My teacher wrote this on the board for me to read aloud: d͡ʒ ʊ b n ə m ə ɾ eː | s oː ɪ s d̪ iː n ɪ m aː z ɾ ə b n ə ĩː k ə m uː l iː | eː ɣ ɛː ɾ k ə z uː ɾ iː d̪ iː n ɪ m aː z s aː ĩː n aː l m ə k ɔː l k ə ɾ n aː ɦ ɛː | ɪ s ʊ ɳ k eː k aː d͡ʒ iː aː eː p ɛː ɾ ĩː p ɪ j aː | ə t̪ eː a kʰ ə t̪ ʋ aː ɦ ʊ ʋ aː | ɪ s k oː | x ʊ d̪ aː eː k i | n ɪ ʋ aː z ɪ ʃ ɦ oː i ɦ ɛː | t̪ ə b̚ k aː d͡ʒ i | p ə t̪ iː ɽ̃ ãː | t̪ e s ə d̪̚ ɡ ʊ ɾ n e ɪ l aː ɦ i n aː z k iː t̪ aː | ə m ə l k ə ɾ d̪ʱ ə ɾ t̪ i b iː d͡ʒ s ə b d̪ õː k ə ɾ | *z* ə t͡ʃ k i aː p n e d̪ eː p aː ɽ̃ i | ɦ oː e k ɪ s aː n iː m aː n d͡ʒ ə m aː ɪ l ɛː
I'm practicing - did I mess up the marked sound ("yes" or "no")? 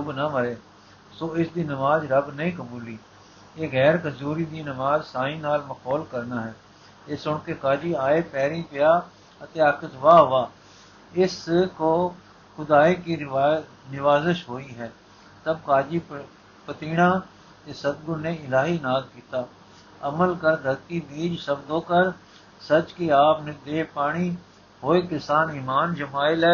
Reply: yes